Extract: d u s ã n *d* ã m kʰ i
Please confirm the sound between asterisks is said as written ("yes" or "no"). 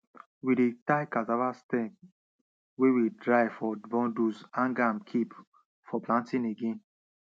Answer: no